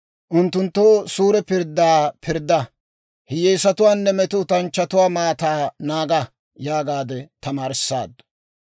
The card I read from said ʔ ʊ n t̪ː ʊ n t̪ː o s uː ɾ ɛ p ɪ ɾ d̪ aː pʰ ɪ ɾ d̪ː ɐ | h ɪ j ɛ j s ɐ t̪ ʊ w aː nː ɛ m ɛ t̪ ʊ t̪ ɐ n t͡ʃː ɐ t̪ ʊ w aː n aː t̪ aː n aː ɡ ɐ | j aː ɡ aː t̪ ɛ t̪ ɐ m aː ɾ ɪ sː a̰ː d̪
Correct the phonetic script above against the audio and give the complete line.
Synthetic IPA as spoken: ʔ ʊ n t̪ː ʊ n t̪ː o s uː ɾ ɛ p ɪ ɾ d̪ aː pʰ ɪ ɾ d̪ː ɐ | h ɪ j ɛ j s ɐ t̪ ʊ w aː nː ɛ m ɛ t̪ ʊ t̪ ɐ n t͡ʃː ɐ t̪ ʊ w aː m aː t̪ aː n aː ɡ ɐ | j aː ɡ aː d̪ ɛ t̪ ɐ m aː ɾ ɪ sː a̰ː d̪